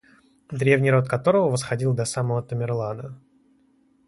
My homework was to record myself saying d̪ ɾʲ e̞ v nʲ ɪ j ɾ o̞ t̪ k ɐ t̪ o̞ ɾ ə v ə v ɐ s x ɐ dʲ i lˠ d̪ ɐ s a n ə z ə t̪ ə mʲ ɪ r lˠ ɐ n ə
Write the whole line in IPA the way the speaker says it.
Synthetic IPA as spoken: d̪ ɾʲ e̞ v nʲ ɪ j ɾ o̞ t̪ k ɐ t̪ o̞ ɾ ə v ə v ə s x ɐ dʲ i lˠ d̪ ɐ s a m ə v ə t̪ ə mʲ ɪ r lˠ a n ə